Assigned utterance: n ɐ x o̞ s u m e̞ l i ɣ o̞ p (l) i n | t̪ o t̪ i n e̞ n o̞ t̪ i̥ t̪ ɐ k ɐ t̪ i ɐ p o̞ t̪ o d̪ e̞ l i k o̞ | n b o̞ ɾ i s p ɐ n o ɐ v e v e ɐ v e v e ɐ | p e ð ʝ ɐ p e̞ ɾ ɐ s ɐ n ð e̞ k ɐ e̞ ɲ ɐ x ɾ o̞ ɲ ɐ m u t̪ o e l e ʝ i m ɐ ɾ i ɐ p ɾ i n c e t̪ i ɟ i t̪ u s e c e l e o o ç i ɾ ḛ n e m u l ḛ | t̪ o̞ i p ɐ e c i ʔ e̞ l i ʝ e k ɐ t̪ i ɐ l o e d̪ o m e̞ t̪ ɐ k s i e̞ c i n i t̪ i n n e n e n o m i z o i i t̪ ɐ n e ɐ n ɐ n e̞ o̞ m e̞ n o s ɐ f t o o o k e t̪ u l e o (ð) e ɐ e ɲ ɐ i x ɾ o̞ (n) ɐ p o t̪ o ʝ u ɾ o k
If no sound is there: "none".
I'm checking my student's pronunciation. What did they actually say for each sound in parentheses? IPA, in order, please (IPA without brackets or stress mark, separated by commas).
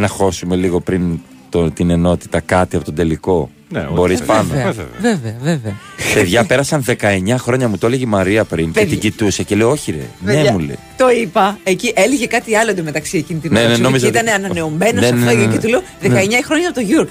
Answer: ɾ, ð, ɲ